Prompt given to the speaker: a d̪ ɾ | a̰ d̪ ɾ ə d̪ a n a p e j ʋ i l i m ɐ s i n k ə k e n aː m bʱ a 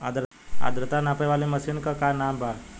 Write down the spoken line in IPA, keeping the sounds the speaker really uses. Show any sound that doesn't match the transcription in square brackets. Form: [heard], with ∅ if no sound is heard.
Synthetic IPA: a d̪ ɾ | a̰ d̪ ɾ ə [t̪] a n a p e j ʋ [a] l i m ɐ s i n k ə k [a] n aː m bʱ a